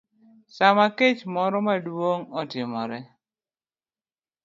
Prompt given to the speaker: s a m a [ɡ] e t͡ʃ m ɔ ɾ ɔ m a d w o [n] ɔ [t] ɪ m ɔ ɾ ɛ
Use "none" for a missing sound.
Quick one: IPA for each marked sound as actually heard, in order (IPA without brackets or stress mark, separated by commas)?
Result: k, ŋ, t